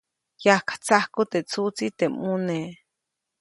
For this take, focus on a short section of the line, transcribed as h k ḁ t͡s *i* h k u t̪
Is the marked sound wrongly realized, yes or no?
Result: yes